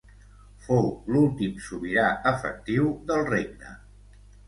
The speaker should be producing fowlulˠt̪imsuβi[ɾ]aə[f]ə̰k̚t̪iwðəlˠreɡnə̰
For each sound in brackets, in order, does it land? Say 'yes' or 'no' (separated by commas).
yes, yes